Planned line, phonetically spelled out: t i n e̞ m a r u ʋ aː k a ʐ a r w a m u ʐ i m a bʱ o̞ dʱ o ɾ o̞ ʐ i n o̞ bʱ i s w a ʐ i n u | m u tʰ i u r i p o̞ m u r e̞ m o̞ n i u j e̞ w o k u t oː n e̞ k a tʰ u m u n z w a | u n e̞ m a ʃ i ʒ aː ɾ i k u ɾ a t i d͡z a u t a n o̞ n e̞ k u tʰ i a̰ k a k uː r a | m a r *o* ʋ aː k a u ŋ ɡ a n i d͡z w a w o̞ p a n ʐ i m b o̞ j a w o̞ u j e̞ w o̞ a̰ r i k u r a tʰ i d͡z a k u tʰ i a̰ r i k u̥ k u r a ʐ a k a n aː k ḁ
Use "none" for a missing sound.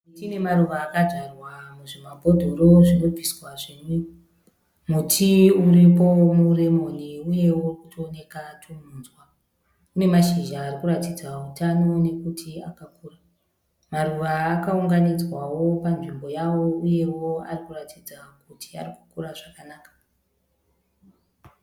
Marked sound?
u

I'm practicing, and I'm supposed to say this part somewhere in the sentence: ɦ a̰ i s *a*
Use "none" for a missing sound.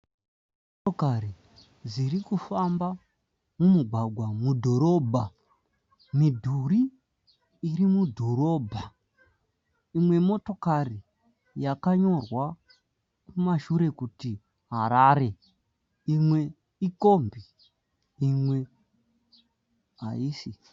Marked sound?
i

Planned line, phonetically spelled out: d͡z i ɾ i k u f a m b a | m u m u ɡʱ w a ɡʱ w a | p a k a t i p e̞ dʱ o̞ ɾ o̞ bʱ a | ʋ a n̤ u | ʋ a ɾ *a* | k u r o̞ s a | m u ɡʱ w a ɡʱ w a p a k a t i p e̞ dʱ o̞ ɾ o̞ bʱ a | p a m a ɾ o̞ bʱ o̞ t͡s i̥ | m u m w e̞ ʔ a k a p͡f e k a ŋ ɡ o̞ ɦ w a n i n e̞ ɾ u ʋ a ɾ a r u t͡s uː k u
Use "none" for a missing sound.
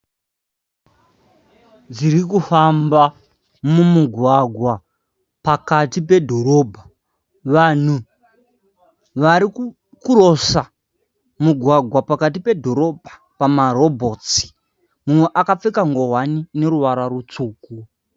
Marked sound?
i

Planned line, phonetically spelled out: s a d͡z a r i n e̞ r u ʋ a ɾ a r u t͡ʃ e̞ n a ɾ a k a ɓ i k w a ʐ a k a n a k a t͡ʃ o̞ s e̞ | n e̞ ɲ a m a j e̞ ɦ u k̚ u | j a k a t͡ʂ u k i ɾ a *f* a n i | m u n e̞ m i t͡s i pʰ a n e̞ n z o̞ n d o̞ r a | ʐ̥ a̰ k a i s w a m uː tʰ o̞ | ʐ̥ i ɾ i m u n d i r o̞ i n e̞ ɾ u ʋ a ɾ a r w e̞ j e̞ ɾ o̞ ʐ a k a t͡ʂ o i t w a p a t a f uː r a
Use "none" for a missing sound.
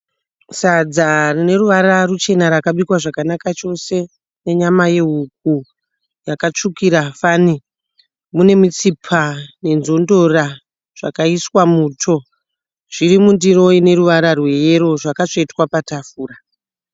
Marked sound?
f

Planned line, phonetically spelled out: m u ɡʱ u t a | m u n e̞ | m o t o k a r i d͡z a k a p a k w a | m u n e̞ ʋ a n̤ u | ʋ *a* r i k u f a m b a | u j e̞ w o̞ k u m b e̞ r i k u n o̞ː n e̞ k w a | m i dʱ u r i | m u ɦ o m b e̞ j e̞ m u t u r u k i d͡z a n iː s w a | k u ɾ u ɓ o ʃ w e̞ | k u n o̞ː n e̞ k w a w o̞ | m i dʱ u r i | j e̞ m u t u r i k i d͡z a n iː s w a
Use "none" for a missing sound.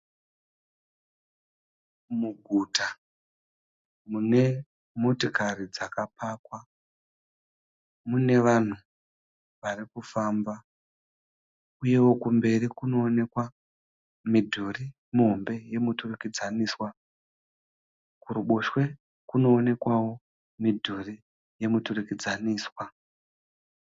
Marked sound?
a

